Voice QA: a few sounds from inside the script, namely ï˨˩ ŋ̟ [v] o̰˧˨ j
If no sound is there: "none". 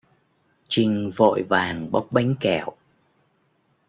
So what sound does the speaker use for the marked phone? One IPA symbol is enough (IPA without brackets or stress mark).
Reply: v